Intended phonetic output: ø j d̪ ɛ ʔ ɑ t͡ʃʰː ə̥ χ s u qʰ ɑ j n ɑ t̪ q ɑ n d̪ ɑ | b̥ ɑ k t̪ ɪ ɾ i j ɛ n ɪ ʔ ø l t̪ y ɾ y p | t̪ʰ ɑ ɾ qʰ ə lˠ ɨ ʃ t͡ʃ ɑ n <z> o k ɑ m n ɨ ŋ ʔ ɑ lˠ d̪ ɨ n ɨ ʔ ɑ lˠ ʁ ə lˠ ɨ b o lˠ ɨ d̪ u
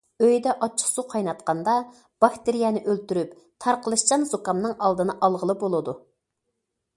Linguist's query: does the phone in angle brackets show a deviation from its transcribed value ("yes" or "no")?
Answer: no